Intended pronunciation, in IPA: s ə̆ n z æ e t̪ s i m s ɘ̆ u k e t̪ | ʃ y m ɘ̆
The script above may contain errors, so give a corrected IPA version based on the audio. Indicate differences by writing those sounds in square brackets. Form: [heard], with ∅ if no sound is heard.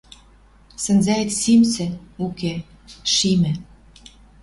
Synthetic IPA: s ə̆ n z æ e t̪ s i m s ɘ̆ u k e [∅] | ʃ [i] m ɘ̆